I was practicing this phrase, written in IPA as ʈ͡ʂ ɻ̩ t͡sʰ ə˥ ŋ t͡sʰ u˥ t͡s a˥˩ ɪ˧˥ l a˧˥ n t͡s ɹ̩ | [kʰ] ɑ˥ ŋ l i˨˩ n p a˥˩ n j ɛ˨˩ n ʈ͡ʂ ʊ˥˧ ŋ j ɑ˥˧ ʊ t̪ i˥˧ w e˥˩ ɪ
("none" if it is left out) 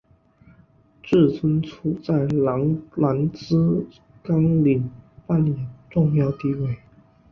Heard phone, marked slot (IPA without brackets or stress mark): k